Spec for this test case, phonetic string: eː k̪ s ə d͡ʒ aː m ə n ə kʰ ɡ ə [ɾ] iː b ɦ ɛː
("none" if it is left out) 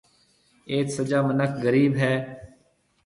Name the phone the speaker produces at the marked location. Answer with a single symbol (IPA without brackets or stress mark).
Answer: ɾ